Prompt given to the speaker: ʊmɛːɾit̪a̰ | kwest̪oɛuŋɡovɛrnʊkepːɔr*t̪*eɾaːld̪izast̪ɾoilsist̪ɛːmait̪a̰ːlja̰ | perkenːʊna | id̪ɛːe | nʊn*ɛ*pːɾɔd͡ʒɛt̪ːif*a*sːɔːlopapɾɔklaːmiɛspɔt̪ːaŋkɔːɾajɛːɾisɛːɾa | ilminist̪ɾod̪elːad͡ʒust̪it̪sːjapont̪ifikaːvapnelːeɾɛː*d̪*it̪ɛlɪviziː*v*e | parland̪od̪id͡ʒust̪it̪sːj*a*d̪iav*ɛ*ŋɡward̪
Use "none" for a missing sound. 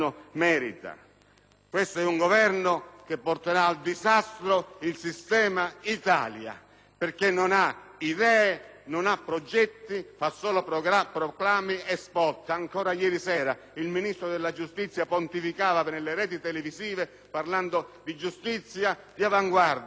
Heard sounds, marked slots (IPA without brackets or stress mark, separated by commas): t̪, a, a, t̪, v, a, a